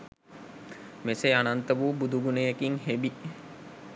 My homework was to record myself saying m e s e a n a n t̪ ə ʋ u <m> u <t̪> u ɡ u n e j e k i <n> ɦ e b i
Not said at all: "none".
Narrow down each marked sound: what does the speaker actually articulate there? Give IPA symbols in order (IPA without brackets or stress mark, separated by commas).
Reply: b, d̪, ŋ